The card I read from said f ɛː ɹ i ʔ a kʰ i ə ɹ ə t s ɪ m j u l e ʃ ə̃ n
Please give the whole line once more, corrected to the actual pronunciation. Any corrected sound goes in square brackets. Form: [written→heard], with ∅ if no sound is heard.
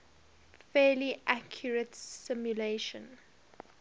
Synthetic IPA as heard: f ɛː [ɹ→l] i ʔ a kʰ [i→j] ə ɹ ə t s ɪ m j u l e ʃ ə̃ n